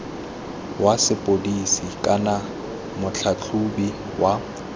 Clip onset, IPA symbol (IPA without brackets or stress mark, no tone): w